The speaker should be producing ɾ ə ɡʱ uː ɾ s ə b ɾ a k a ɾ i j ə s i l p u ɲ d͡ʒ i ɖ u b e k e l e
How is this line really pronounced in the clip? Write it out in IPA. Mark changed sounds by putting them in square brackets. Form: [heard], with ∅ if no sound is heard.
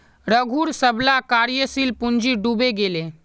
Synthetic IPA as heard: ɾ ə ɡʱ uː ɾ s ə b [l] a k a ɾ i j ə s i l p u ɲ d͡ʒ i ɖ u b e [ɡ] e l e